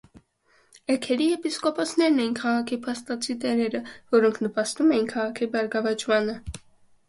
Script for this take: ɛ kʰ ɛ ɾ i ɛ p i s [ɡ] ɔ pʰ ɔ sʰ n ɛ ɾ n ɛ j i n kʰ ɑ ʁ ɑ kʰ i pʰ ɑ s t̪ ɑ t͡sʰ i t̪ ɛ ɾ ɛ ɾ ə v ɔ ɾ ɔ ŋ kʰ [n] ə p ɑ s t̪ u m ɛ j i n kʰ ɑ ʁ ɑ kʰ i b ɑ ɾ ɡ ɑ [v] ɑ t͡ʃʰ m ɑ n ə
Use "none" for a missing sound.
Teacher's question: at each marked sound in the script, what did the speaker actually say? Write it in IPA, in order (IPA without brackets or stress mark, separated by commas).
k, n, v